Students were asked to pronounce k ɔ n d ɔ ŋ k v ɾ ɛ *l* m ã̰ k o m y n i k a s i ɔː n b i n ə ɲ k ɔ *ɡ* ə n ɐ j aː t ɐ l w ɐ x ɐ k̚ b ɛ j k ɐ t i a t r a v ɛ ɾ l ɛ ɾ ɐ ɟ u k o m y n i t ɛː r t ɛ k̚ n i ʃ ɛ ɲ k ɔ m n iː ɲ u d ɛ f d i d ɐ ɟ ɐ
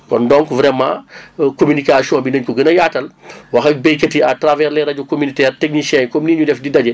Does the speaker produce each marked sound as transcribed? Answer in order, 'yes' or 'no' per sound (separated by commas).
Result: no, yes